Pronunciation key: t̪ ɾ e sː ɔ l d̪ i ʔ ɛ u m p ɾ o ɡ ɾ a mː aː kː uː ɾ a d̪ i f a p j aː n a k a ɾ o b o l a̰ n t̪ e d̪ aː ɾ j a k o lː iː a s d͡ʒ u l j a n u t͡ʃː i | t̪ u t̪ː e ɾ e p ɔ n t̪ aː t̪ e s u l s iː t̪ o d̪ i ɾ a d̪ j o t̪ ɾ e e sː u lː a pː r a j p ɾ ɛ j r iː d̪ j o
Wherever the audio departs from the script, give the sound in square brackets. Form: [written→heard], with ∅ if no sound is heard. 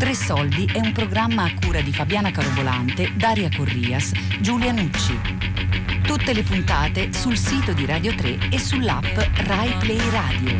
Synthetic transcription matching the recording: t̪ ɾ e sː ɔ l d̪ i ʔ ɛ u m p ɾ o ɡ ɾ a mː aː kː uː ɾ a d̪ i f a [p→b] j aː n a k a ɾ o b o l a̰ n t̪ e d̪ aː ɾ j a k o [lː→rː] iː a s d͡ʒ u l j a n u t͡ʃː i | t̪ u t̪ː e [ɾ→l] e p [ɔ→u] n t̪ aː t̪ e s u l s iː t̪ o d̪ i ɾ a d̪ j o t̪ ɾ e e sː u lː a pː r a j p [ɾ→l] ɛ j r [iː→aː] d̪ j o